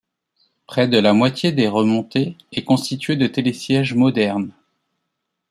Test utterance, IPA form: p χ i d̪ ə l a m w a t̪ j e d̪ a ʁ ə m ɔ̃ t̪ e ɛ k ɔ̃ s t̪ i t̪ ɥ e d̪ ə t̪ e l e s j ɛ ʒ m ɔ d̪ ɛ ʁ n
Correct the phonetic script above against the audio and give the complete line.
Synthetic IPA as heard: p χ ɛ d̪ ə l a m w a t̪ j e d̪ e ʁ ə m ɔ̃ t̪ e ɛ k ɔ̃ s t̪ i t̪ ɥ e d̪ ə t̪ e l e s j ɛ ʒ m ɔ d̪ ɛ ʁ n